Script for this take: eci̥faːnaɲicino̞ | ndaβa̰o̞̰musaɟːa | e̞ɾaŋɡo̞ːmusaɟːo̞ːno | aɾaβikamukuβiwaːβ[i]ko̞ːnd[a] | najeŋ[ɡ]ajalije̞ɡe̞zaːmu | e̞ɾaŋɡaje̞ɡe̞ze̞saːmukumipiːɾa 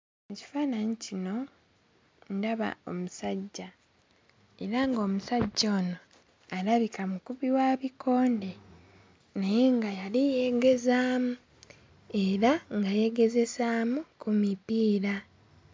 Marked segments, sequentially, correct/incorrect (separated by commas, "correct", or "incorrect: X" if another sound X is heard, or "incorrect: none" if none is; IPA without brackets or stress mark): correct, incorrect: e, correct